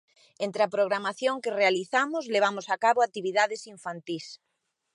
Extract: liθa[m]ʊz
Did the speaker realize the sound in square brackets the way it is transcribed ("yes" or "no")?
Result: yes